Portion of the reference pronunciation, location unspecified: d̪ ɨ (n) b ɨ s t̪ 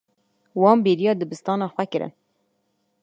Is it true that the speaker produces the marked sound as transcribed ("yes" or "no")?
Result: no